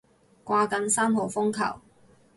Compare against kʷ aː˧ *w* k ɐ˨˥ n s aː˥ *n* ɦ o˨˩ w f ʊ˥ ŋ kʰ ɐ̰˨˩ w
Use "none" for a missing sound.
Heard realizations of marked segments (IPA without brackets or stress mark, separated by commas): none, m